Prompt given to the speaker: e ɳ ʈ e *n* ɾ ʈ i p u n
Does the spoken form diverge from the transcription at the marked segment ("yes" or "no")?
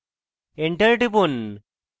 yes